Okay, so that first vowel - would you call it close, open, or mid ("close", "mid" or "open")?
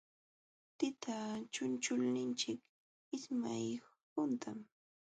close